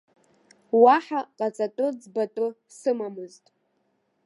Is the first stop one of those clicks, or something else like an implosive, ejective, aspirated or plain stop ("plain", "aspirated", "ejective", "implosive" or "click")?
ejective